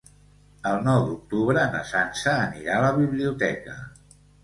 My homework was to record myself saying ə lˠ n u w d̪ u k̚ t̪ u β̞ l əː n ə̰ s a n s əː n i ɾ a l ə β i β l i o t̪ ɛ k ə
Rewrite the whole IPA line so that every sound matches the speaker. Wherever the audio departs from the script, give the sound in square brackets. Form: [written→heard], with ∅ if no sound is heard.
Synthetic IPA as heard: ə lˠ n [u→ɔ] w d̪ u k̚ t̪ u β̞ [l→ɾ] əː n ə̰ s a n s əː n i ɾ a l ə β i β l i [o→u] t̪ ɛ k ə